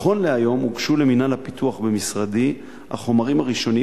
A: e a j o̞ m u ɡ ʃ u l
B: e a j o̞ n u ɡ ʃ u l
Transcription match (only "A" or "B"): A